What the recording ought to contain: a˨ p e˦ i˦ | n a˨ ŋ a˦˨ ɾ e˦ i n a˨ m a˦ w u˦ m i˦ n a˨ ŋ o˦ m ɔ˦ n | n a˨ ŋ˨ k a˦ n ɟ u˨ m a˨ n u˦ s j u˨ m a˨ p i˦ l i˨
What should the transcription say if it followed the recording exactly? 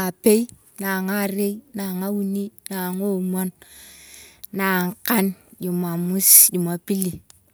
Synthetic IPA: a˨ p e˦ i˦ | n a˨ ŋ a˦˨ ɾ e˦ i n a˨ ŋ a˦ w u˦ n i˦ n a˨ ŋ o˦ m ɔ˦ n | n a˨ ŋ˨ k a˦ n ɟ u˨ m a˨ m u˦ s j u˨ m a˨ p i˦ l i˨